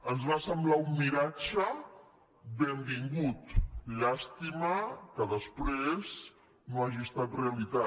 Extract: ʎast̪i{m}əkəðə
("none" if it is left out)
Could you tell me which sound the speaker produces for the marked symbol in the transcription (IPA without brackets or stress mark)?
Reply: m